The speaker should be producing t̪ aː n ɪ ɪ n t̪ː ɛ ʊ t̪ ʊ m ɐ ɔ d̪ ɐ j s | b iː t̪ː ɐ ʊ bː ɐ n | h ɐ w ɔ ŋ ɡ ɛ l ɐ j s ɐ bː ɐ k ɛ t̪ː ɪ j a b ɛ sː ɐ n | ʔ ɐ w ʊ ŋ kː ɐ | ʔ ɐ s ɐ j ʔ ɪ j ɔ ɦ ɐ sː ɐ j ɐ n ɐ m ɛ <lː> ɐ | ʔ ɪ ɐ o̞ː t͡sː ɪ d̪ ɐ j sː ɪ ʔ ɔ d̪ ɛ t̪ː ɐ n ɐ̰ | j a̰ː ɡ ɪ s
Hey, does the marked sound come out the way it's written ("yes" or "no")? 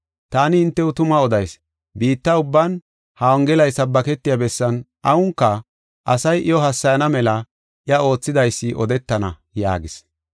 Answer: no